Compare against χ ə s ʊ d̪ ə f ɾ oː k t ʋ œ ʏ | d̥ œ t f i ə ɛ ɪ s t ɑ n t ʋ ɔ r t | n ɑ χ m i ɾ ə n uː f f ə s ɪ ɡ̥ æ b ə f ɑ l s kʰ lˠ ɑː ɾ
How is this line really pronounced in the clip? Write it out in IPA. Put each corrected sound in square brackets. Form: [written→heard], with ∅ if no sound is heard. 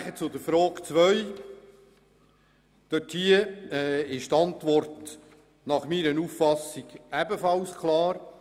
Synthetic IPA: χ ə [s→t͡s] ʊ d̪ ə f ɾ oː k [t→t͡s] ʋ œ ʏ | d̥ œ t [f→h] i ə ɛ ɪ [s→ʃ] t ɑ n t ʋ ɔ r t | n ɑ χ m i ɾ ə n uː f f [ə→ɑ] s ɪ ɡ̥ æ b ə f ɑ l s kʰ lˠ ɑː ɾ